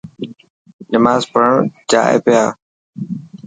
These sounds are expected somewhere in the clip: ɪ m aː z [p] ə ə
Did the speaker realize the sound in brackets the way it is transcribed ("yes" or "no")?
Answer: yes